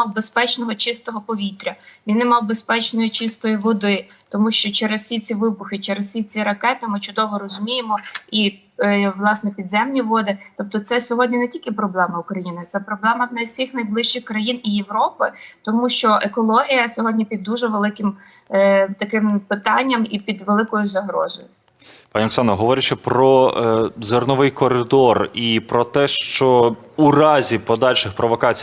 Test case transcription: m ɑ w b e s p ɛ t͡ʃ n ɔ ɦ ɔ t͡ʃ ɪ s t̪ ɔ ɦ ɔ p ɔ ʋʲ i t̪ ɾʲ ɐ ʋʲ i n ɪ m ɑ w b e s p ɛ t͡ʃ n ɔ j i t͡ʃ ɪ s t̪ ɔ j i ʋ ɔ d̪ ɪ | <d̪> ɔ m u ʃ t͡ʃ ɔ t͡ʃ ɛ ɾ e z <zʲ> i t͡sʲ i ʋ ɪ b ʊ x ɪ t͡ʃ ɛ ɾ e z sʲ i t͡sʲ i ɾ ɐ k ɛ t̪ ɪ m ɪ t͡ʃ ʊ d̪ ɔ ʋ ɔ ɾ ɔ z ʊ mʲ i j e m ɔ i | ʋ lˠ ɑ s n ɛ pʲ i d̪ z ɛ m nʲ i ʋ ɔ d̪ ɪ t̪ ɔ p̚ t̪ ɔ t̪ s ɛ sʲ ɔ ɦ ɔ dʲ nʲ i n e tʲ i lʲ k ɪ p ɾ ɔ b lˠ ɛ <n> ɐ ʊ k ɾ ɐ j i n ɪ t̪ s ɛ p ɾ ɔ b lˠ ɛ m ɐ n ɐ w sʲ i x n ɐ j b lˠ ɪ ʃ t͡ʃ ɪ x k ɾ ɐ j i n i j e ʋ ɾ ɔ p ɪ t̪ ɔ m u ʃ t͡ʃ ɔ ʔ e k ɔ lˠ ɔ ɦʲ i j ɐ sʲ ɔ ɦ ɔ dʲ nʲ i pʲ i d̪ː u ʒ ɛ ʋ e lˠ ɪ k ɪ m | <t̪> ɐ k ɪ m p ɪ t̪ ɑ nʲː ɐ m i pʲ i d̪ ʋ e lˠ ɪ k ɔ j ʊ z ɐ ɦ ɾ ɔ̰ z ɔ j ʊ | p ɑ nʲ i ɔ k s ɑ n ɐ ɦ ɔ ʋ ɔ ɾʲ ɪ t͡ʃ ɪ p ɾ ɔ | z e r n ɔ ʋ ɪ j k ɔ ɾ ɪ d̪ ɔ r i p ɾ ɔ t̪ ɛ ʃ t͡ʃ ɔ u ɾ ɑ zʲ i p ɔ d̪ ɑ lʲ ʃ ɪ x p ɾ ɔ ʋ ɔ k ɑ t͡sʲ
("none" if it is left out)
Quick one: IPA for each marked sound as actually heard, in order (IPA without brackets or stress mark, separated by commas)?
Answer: t̪, sʲ, m, t̪